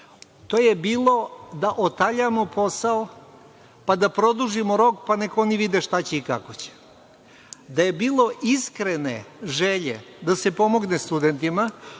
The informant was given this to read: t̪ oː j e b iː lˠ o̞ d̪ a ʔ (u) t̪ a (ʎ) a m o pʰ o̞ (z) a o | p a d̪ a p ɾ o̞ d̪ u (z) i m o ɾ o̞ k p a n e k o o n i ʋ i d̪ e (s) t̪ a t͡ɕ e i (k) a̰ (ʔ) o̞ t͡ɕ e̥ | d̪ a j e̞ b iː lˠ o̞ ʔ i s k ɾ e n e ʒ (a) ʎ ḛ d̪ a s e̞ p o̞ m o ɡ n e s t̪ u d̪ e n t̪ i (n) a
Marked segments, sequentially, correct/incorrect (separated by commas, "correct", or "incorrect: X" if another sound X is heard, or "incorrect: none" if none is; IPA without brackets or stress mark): incorrect: o, correct, incorrect: s, incorrect: ʒ, incorrect: ʃ, correct, incorrect: k, incorrect: e, incorrect: m